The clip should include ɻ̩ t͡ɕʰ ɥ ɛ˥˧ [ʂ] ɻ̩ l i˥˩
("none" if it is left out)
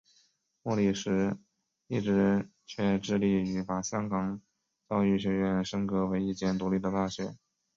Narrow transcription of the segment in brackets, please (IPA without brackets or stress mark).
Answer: ʈ͡ʂ